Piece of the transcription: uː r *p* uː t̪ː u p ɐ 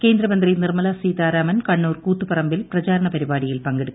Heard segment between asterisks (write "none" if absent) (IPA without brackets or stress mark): k